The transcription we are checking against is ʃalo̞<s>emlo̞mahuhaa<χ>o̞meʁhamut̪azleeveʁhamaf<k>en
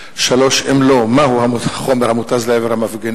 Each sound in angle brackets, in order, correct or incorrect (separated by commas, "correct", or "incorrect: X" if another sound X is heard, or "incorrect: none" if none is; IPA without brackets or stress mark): incorrect: ʃ, correct, incorrect: ɡ